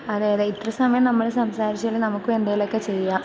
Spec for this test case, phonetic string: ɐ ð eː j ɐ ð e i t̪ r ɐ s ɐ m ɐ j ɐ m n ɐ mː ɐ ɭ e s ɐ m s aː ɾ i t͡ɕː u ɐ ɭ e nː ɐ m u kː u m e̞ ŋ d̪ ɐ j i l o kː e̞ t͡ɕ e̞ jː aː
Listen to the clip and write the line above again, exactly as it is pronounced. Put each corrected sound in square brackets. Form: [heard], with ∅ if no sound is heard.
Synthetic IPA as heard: ɐ ð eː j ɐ ð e i t̪ r ɐ s ɐ m ɐ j ɐ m n ɐ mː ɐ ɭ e s ɐ m s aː ɾ i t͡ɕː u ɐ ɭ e [n] ɐ m u kː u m e̞ [n] d̪ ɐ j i l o kː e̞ t͡ɕ e̞ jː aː